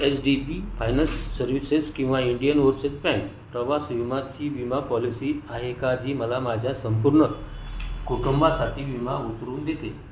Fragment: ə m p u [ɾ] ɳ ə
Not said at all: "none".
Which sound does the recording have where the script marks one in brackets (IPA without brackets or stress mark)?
ɾ